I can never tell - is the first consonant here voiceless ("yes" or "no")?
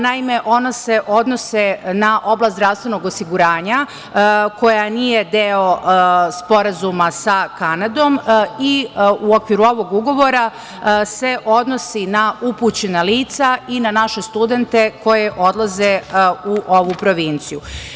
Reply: no